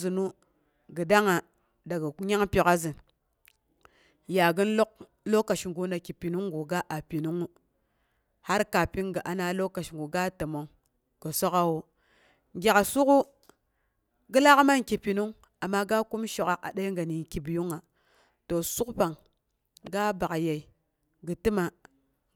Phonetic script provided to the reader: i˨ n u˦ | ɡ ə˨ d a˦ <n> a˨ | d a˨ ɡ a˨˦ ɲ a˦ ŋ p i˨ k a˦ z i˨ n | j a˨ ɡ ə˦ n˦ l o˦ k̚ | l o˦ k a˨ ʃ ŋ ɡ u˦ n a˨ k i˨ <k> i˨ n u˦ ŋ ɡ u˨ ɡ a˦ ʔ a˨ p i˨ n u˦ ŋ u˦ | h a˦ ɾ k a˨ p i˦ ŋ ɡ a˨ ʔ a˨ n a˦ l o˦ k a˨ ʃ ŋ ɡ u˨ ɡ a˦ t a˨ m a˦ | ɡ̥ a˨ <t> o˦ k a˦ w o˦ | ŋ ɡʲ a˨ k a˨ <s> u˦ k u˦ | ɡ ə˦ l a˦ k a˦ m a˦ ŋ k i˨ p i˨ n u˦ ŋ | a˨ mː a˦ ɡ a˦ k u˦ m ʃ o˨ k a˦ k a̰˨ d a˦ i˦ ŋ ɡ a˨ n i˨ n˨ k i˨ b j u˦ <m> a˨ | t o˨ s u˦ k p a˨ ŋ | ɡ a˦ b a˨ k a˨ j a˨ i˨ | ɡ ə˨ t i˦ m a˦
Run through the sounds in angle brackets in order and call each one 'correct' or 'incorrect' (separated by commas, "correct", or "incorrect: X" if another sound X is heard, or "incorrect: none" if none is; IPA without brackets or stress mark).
incorrect: ŋ, incorrect: p, incorrect: s, correct, incorrect: ŋ